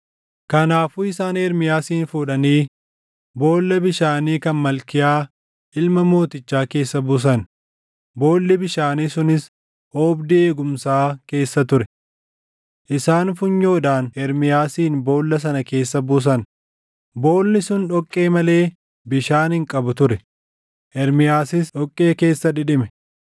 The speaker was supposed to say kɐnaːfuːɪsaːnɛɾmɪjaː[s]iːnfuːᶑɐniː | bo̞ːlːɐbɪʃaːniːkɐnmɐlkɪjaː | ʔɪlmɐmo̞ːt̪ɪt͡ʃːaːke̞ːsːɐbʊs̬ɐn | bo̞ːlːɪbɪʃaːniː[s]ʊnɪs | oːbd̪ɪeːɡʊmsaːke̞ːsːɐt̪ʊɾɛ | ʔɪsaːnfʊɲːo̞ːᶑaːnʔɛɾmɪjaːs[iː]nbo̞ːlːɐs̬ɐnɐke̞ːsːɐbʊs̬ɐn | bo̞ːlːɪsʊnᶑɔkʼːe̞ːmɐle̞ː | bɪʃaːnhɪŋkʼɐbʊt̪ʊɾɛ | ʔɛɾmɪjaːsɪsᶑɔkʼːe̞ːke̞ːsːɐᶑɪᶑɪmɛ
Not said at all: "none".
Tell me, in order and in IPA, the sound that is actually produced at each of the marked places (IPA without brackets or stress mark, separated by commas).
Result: s, s, iː